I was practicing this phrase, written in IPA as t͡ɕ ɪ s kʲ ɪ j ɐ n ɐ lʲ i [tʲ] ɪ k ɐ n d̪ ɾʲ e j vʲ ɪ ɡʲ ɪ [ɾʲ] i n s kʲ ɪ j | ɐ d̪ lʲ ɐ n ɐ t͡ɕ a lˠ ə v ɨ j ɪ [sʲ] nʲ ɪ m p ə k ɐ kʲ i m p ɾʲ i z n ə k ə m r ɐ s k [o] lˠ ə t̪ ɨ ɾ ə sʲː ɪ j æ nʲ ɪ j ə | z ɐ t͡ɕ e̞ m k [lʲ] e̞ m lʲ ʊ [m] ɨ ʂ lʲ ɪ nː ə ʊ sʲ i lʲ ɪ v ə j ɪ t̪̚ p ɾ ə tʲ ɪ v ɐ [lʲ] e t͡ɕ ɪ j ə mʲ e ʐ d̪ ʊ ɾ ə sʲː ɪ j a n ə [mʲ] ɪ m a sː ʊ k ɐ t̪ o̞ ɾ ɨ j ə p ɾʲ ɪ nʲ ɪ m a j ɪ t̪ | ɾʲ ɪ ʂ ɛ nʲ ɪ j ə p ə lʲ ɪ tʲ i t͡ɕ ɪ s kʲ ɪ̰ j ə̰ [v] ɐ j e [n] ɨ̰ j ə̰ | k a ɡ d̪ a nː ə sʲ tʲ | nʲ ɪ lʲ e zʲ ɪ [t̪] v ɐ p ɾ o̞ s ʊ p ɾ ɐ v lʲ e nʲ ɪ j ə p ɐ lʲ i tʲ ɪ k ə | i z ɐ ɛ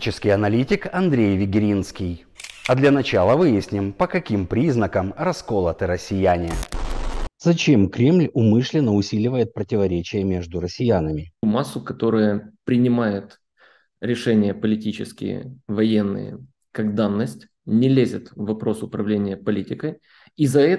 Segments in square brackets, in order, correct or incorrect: correct, correct, correct, correct, incorrect: ɾʲ, correct, incorrect: ɾʲ, correct, correct, incorrect: nː, correct

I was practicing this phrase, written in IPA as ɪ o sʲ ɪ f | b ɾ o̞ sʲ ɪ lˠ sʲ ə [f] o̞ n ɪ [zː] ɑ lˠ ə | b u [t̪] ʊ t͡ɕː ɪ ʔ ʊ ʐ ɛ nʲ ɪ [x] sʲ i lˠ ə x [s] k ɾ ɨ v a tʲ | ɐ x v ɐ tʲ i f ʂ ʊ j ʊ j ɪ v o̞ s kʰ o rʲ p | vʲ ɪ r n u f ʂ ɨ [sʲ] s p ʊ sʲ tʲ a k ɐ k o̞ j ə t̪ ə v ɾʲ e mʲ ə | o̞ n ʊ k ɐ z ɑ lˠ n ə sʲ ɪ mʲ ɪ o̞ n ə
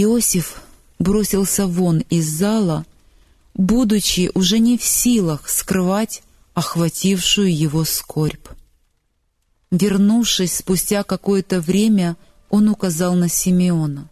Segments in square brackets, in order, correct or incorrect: incorrect: v, correct, incorrect: d̪, incorrect: f, correct, correct

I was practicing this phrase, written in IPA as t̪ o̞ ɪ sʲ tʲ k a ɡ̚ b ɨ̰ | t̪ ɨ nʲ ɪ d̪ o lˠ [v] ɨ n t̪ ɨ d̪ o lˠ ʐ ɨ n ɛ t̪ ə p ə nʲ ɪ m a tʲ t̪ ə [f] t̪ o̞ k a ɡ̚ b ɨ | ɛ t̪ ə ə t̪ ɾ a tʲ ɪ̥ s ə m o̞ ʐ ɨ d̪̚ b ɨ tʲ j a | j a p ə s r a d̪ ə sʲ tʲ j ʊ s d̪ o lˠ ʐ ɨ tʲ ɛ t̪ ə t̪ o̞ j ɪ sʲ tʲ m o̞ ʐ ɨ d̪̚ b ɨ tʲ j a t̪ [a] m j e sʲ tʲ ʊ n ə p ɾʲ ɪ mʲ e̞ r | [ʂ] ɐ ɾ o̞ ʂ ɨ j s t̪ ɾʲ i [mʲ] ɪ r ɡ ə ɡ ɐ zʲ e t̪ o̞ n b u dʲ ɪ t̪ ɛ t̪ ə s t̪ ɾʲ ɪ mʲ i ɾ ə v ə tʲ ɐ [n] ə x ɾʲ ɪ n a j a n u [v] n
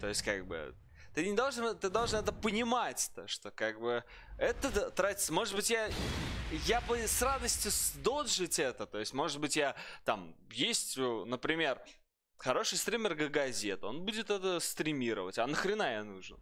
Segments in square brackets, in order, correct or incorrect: incorrect: ʐ, incorrect: ʂ, correct, incorrect: x, correct, correct, incorrect: ʐ

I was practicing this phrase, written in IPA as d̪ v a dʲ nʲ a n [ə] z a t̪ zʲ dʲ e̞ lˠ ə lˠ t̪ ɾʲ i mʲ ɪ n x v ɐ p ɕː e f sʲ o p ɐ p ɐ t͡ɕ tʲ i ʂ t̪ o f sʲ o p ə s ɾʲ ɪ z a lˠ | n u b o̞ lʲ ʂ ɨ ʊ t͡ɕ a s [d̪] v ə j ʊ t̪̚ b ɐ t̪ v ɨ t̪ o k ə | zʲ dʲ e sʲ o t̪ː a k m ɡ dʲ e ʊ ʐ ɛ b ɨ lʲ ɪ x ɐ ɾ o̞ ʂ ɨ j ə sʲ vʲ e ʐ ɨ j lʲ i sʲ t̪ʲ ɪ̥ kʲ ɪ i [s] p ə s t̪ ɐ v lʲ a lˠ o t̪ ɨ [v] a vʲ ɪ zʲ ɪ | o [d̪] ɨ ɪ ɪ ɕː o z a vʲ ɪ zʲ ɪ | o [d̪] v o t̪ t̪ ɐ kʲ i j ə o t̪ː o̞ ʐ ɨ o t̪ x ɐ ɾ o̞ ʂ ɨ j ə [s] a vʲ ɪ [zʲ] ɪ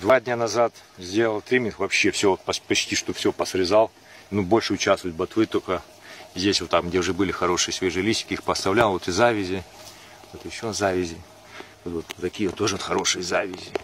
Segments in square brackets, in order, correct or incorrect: incorrect: ɐ, incorrect: t̪, incorrect: x, incorrect: z, incorrect: t̪, incorrect: t̪, incorrect: z, correct

